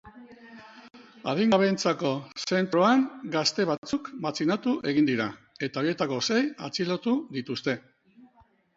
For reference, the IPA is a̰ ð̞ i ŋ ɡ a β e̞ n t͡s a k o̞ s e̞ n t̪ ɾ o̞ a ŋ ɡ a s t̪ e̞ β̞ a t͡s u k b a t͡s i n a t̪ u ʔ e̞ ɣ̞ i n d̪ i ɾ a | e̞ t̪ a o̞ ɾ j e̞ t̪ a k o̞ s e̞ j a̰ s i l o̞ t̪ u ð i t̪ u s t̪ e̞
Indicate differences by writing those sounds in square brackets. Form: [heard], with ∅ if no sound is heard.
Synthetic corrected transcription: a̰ ð̞ i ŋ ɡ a β e̞ n t͡s a k o̞ s e̞ n t̪ ɾ o̞ a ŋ ɡ a s t̪ e̞ β̞ a t͡s u k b a t͡s i n a t̪ u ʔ e̞ ɣ̞ i n d̪ i ɾ a | e̞ t̪ a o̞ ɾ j e̞ t̪ a k o̞ s e̞ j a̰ [t͡s] i l o̞ t̪ u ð i t̪ u s t̪ e̞